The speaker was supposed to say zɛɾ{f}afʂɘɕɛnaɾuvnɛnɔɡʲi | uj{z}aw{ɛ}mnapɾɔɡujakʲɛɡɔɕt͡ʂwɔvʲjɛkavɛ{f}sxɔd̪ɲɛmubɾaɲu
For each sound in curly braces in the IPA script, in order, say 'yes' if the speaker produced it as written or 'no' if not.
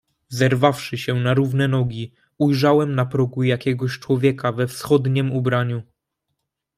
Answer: no, no, yes, yes

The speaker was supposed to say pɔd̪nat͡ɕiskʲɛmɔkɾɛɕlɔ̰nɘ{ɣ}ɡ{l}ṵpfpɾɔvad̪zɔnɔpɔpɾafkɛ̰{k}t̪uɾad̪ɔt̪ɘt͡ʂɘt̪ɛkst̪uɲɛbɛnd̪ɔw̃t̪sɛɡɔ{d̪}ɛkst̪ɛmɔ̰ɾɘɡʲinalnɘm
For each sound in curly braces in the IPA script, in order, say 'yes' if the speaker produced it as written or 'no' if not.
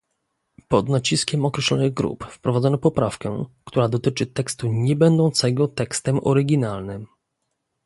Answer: yes, no, yes, no

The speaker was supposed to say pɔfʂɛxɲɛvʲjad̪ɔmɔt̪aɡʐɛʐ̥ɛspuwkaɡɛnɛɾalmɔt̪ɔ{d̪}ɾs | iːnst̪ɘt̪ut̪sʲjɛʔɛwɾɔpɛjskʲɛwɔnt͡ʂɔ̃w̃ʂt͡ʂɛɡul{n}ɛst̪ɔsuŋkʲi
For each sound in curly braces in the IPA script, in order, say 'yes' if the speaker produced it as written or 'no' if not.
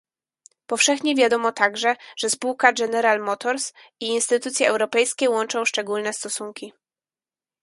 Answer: no, yes

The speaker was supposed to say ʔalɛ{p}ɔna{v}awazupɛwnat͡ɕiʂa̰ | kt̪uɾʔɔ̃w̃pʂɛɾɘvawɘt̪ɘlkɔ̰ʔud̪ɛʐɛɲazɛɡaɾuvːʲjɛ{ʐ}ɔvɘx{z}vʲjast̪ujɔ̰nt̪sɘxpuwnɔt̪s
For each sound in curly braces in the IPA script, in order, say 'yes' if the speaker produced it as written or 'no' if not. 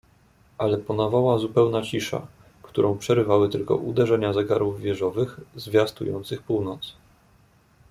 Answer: yes, yes, yes, yes

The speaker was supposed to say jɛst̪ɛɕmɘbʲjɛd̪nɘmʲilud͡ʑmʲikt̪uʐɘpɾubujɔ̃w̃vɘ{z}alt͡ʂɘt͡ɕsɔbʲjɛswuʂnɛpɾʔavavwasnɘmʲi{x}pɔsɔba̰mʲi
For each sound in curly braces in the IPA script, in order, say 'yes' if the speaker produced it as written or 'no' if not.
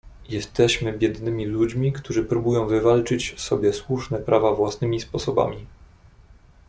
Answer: no, no

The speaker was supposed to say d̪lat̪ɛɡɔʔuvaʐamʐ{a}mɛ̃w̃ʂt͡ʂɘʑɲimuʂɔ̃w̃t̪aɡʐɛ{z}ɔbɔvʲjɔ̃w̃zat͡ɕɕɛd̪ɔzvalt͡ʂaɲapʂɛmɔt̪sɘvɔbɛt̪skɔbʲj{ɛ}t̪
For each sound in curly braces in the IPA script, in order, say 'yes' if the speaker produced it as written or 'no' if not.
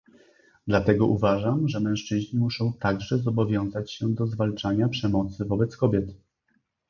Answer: no, yes, yes

